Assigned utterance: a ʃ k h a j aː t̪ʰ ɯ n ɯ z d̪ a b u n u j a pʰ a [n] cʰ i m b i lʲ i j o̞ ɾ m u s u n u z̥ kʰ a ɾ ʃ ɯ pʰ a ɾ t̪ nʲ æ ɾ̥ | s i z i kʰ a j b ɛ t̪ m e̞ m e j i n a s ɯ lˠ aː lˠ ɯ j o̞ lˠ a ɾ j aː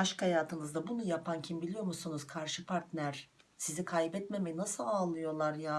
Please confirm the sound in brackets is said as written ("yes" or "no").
yes